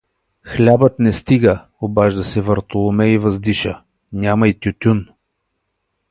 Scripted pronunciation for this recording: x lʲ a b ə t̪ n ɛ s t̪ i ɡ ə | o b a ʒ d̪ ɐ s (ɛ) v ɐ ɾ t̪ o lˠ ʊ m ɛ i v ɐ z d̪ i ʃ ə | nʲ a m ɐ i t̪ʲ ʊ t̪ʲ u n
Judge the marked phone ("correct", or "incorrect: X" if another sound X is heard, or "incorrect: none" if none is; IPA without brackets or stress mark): correct